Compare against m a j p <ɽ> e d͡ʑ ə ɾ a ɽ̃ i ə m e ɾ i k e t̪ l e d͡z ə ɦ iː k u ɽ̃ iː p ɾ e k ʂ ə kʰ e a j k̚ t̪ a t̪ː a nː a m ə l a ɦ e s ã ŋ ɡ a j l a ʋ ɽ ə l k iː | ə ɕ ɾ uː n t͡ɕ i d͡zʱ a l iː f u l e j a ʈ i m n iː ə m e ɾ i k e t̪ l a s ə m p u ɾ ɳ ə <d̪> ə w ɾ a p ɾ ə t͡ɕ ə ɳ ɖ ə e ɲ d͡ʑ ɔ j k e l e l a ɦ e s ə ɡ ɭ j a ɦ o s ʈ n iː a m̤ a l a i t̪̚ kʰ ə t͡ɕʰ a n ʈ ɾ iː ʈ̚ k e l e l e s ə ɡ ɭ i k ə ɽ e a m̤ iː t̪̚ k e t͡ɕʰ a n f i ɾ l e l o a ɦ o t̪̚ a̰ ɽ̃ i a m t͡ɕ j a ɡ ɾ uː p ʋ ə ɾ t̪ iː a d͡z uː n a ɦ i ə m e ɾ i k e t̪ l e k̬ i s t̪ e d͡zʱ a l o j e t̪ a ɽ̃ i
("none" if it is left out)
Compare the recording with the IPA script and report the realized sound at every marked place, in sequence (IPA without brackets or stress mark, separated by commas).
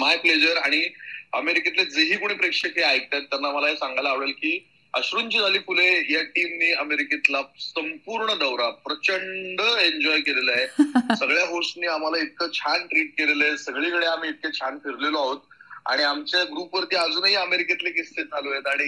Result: l, d̪